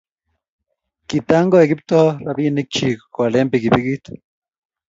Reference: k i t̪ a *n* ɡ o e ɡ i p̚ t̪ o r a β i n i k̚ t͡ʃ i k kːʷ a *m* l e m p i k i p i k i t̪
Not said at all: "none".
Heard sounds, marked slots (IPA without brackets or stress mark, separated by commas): ŋ, none